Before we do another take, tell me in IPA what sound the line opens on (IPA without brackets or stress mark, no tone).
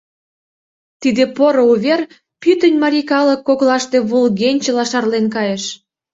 t̪